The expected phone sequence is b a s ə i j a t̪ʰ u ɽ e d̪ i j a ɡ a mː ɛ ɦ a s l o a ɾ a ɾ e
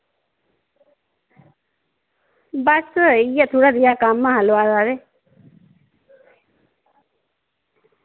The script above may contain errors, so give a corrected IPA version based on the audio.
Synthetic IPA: b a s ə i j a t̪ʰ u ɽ a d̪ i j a k a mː a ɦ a l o a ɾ a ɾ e